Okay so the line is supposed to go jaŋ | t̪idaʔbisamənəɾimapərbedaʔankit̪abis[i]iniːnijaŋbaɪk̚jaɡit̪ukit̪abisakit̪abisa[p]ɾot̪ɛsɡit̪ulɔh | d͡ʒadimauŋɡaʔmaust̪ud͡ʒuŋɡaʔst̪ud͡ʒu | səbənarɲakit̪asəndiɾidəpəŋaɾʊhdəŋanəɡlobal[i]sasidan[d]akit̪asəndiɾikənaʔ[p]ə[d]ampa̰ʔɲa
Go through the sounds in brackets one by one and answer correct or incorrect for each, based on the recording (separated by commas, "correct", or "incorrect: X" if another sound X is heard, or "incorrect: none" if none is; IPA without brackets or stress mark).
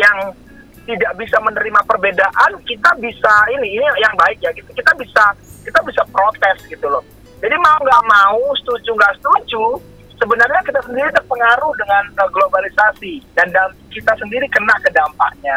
incorrect: a, correct, correct, correct, incorrect: k, correct